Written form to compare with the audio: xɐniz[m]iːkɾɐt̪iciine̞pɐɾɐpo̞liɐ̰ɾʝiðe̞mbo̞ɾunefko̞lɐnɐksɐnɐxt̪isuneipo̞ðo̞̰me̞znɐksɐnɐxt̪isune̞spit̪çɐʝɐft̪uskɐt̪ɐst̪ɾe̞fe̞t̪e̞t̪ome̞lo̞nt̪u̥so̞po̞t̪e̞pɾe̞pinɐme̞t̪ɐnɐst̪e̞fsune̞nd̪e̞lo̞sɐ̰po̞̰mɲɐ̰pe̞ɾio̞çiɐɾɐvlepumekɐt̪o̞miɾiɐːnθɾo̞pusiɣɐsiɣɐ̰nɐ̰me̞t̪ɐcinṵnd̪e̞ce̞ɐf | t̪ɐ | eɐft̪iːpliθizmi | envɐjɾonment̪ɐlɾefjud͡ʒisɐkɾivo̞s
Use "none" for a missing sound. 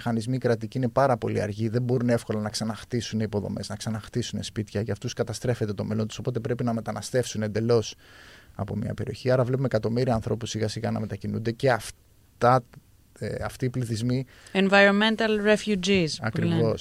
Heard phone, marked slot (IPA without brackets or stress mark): m